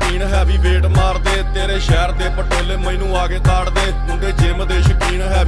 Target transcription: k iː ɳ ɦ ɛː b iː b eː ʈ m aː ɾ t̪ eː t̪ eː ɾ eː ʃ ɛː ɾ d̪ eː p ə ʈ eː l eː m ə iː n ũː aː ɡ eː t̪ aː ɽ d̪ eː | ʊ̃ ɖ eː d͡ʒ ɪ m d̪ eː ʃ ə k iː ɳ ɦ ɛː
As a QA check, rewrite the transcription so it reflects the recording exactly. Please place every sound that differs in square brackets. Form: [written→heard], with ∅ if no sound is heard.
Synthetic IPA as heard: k iː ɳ ɦ ɛː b iː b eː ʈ m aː ɾ [t̪→d̪] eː t̪ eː ɾ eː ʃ ɛː ɾ d̪ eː p ə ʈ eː l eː m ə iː n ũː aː ɡ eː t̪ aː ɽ d̪ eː | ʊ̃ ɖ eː d͡ʒ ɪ m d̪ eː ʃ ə k iː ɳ ɦ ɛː